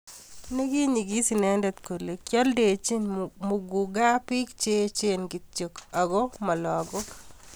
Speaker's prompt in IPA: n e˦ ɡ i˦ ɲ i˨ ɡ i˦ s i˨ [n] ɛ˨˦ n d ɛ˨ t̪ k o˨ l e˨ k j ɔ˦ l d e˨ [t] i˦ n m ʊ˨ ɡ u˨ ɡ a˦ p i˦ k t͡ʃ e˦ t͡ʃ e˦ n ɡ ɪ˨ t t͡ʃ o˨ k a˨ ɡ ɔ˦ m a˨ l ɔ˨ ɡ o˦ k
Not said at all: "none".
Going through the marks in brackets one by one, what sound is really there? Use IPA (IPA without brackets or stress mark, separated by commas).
n, t͡ʃ